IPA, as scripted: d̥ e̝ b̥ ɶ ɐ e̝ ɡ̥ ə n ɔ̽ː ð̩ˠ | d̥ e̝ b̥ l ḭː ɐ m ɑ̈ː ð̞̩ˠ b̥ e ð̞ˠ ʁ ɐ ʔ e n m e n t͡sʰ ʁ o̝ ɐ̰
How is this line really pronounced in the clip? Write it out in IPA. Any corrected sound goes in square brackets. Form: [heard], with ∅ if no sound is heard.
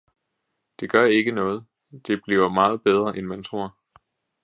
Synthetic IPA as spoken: d̥ e̝ [ɡ̥] ɶ ɐ e̝ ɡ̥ ə n ɔ̽ː ð̩ˠ | d̥ e̝ b̥ l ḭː ɐ m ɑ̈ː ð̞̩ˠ b̥ e ð̞ˠ ʁ ɐ ʔ e n m [æ] n t͡sʰ ʁ o̝ ɐ̰